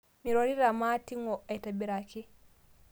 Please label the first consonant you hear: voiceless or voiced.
voiced